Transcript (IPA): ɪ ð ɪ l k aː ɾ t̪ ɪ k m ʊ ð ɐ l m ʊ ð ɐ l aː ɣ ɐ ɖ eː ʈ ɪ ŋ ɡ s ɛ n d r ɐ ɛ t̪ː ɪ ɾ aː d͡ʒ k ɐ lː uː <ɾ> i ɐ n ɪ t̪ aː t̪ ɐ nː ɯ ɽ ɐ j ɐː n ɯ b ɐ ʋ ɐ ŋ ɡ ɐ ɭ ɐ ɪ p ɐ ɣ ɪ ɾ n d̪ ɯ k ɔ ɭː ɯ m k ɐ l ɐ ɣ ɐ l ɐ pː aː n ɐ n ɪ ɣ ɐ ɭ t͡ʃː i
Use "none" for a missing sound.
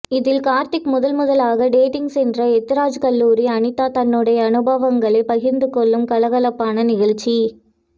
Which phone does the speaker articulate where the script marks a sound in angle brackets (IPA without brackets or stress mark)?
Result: ɾ